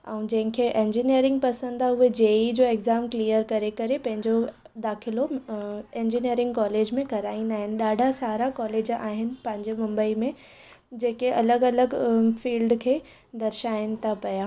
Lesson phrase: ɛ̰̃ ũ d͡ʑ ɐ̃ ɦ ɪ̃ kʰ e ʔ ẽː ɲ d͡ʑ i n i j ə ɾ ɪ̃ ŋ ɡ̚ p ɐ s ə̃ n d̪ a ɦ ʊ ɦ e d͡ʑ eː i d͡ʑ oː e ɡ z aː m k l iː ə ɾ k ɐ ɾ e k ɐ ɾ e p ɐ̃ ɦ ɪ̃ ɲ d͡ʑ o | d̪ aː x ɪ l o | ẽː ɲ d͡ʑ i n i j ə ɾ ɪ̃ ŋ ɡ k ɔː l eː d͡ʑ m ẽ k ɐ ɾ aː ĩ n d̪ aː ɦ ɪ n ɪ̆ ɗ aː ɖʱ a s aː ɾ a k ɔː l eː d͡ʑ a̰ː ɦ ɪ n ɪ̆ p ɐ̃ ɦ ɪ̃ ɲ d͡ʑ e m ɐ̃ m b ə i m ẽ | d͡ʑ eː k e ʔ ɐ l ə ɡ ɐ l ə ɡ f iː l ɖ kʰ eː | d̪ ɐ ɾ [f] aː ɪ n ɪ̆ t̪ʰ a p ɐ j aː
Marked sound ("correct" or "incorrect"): incorrect